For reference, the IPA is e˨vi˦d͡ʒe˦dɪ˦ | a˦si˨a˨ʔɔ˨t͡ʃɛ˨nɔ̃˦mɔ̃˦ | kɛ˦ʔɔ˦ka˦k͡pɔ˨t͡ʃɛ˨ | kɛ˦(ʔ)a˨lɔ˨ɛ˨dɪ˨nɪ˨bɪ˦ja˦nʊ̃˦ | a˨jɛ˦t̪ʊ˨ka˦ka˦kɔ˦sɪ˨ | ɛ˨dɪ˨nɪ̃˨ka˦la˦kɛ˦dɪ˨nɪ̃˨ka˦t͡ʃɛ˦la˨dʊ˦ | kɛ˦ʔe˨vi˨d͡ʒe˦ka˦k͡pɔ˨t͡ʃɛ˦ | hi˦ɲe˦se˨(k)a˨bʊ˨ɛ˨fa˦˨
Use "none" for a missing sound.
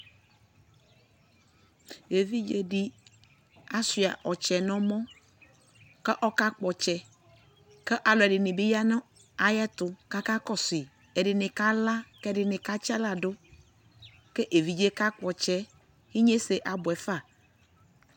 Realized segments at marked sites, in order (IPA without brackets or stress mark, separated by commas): ʔ, ʔ